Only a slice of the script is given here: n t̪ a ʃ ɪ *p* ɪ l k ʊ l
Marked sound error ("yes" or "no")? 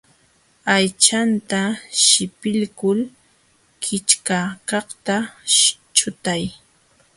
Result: no